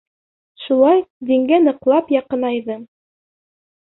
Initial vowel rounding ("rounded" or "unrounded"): rounded